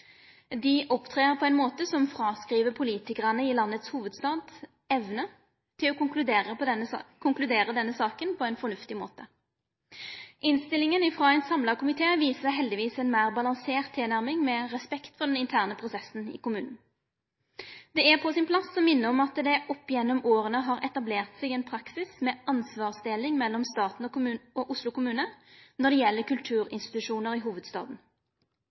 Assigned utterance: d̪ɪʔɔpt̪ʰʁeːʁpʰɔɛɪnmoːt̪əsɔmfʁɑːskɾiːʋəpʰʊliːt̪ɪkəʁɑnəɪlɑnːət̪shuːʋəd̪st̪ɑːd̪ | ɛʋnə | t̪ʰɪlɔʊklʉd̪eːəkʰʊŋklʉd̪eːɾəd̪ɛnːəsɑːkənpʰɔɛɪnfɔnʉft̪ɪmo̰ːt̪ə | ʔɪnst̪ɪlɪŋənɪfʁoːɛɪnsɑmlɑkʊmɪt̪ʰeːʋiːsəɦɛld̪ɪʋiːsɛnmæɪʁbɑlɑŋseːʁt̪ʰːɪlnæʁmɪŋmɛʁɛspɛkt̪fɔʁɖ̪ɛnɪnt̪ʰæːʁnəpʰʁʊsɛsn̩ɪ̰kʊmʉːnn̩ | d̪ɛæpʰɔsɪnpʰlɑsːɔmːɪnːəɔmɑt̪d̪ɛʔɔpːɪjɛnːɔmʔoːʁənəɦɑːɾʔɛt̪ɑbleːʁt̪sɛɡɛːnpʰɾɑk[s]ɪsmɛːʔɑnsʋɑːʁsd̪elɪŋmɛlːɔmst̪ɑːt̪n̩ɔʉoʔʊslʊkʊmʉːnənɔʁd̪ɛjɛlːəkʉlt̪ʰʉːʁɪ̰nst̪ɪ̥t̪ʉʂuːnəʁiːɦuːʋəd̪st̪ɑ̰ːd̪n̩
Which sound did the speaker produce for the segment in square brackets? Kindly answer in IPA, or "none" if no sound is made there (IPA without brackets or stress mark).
s